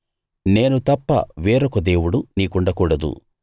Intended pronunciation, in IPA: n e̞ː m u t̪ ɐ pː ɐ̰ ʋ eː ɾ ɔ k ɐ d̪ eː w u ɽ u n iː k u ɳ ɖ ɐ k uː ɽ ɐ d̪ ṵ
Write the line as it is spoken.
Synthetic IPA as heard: n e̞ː n u t̪ ɐ pː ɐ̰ ʋ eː ɾ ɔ k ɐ d̪ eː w u ɽ u n iː k u ɳ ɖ ɐ k uː ɽ ɐ d̪ ṵ